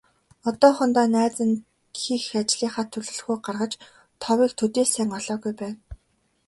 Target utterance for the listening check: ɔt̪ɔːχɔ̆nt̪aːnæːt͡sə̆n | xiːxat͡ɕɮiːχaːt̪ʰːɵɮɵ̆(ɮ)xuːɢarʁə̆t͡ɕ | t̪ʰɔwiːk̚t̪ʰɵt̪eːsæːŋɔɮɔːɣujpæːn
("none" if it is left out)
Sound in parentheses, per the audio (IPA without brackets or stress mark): ɮ